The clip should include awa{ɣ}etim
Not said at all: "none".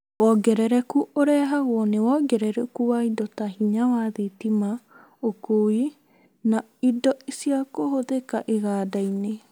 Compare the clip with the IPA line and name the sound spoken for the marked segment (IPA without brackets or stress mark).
ð